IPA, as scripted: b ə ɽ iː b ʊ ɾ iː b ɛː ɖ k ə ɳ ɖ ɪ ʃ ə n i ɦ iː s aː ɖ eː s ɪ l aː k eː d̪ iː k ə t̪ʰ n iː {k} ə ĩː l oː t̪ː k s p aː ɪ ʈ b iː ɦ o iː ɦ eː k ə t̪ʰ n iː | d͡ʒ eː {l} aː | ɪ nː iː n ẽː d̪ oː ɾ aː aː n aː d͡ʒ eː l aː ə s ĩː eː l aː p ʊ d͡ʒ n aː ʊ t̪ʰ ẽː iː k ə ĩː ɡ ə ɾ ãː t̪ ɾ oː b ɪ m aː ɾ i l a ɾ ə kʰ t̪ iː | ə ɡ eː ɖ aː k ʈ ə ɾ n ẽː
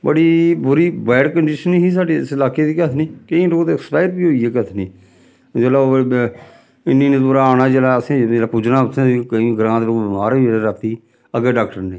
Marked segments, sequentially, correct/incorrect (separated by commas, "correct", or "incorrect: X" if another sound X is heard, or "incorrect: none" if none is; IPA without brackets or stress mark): correct, correct